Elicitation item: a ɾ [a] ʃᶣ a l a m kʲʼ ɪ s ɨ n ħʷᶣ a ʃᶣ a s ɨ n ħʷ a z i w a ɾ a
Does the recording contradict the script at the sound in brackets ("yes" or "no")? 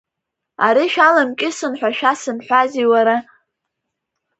yes